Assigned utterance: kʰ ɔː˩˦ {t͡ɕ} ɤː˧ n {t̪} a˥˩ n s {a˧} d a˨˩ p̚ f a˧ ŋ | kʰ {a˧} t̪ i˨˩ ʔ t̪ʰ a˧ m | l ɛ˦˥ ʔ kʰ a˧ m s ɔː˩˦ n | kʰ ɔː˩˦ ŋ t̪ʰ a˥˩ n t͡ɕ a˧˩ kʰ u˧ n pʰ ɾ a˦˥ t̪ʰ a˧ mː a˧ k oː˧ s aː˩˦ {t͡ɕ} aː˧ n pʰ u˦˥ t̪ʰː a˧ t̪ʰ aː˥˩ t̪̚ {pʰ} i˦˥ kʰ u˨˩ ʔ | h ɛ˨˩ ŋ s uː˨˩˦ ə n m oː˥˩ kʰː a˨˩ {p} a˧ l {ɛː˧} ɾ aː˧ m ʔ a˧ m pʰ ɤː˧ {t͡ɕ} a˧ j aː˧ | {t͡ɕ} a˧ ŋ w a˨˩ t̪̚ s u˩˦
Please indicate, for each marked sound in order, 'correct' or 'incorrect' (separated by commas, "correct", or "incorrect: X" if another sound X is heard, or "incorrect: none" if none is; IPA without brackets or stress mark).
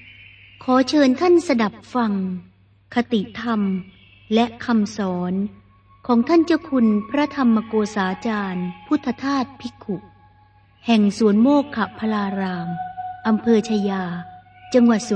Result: incorrect: t͡ɕʰ, incorrect: t̪ʰ, correct, correct, correct, correct, incorrect: pʰ, incorrect: aː˧, incorrect: t͡ɕʰ, correct